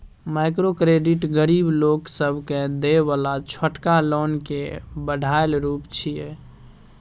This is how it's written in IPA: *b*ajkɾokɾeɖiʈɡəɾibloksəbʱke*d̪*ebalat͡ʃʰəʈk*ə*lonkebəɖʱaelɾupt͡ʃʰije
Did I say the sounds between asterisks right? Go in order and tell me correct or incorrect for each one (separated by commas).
incorrect, correct, incorrect